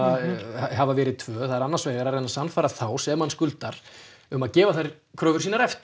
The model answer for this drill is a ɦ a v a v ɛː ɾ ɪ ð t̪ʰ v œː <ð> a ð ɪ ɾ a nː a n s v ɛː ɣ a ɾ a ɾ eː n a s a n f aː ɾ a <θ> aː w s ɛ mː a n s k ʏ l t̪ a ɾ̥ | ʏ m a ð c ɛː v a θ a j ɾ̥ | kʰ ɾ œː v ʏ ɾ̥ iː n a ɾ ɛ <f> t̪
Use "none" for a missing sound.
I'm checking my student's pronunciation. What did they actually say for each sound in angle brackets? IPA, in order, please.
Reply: θ, θ, f

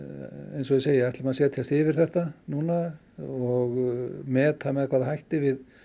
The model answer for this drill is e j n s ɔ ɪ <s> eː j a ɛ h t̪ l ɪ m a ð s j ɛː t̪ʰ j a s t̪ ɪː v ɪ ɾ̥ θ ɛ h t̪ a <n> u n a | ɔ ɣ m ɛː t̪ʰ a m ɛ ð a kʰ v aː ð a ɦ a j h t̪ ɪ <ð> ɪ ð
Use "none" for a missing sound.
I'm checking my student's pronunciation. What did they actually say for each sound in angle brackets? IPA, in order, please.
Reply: s, n, v

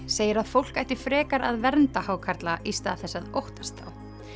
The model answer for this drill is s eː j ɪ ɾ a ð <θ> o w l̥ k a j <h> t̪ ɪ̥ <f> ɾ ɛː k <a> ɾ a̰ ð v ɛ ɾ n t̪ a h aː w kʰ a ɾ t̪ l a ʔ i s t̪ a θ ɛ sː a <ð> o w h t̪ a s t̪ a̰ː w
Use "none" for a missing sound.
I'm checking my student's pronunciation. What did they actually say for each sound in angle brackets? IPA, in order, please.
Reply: f, h, f, a, ð

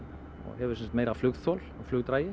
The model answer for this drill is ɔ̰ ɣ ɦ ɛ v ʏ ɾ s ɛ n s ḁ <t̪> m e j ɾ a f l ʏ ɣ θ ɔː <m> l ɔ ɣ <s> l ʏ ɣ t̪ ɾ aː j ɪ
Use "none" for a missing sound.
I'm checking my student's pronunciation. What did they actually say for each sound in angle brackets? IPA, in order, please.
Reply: t̪, none, f

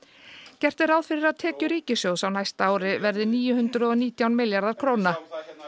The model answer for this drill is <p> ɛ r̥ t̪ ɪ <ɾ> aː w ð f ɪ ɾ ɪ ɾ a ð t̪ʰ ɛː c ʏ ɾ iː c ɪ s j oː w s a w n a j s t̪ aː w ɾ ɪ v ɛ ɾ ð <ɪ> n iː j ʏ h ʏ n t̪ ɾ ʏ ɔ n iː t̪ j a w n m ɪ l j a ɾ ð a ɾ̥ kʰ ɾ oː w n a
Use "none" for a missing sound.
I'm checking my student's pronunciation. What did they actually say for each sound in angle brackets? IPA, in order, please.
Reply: c, ɾ, ɪ

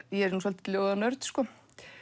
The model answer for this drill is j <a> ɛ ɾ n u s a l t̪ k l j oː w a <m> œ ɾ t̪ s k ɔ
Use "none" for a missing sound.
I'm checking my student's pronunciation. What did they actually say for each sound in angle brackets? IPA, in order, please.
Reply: ɛ, n

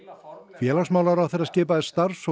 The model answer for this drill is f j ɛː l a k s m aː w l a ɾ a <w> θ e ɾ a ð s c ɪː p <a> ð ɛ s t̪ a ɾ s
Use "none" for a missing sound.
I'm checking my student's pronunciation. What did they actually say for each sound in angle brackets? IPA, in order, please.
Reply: w, a

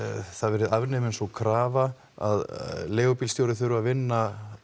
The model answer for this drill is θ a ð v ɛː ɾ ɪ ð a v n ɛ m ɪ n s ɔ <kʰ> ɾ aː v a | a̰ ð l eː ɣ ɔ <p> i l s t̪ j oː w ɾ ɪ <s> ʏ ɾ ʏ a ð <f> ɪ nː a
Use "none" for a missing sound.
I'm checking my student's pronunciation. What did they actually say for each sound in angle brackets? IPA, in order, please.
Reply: kʰ, p, θ, v

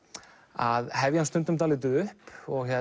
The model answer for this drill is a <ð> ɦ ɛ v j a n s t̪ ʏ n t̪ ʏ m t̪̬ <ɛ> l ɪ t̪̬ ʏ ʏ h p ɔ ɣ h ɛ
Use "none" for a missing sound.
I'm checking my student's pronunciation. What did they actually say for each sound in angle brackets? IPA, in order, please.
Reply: ð, a

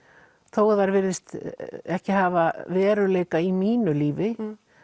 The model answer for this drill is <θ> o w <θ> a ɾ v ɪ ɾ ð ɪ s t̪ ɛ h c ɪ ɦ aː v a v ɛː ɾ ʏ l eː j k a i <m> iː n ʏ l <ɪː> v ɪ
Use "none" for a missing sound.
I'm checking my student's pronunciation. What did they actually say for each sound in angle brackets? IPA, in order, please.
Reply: θ, ð, m, iː

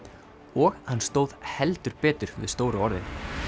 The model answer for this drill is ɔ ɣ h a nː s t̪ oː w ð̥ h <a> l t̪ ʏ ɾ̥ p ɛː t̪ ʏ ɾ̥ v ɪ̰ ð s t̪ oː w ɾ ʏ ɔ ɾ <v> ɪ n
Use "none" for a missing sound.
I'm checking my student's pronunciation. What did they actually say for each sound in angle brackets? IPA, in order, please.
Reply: ɛ, ð

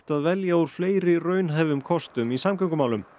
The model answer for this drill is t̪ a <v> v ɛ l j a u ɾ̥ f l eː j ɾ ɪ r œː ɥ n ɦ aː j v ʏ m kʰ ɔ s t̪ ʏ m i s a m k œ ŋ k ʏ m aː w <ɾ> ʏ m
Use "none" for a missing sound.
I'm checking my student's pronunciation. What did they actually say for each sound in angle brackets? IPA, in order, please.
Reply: ð, l

